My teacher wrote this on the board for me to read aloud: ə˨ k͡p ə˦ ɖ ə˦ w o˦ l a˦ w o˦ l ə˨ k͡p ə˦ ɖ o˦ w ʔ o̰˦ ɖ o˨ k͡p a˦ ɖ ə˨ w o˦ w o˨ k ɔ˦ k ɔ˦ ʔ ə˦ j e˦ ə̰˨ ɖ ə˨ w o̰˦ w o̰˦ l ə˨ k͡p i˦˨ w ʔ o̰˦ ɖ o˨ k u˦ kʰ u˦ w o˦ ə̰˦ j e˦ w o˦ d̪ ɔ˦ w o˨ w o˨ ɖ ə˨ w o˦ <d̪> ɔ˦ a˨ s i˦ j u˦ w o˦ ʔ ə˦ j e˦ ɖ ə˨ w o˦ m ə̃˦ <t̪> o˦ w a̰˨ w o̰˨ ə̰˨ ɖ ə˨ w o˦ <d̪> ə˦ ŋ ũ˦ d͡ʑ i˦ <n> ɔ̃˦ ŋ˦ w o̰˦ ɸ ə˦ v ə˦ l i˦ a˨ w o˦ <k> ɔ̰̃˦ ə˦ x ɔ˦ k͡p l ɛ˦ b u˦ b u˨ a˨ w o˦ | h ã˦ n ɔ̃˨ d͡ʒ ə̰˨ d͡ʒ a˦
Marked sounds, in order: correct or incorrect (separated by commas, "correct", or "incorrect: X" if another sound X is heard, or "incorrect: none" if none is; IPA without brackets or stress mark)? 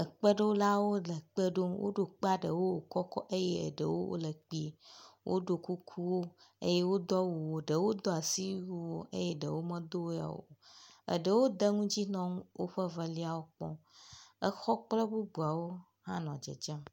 correct, incorrect: d̪, correct, correct, incorrect: k͡p